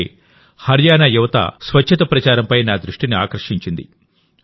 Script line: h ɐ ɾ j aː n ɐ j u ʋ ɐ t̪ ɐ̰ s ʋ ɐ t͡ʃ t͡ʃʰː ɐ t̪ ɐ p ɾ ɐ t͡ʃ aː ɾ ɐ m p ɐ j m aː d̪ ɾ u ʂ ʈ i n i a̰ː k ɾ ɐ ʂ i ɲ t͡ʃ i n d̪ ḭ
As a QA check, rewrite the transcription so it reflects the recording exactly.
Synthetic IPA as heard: h ɐ ɾ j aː n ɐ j u ʋ ɐ t̪ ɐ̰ s ʋ ɐ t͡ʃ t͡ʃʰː ɐ t̪ ɐ p ɾ ɐ t͡ʃ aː ɾ ɐ m p ɐ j n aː d̪ ɾ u ʂ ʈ i n i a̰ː k ɾ ɐ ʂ i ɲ t͡ʃ i n d̪ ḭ